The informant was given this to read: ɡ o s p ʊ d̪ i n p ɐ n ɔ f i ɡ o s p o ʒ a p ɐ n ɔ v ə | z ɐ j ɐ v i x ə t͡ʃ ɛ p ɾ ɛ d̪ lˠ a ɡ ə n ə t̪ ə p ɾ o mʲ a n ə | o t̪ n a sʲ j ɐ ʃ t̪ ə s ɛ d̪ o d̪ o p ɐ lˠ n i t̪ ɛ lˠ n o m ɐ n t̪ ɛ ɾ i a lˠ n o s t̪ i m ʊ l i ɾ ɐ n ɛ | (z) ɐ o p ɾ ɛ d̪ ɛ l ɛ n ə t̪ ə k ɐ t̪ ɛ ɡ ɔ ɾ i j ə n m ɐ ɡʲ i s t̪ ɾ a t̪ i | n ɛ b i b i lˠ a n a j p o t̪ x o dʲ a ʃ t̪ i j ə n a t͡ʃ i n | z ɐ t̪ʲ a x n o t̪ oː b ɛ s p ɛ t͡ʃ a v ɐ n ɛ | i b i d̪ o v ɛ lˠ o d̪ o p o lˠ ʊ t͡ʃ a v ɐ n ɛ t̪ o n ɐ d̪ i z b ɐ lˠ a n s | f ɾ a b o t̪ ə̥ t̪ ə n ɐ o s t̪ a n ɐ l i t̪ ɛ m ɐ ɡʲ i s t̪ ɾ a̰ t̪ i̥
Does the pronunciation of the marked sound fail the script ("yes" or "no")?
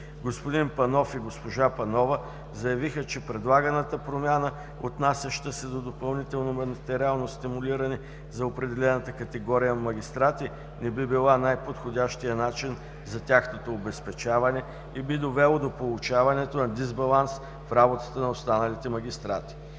no